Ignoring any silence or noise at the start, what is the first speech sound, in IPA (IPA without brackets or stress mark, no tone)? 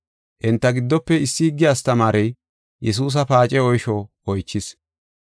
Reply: ʔ